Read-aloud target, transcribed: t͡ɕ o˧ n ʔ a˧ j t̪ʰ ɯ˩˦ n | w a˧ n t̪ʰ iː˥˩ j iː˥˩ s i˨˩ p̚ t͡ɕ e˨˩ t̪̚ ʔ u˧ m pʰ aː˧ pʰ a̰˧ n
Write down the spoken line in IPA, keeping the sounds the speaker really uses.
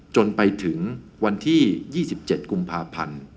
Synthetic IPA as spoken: t͡ɕ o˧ n p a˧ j t̪ʰ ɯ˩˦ ŋ | w a˧ n t̪ʰ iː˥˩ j iː˥˩ s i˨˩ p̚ t͡ɕ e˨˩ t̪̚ k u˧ m pʰ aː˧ pʰ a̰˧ n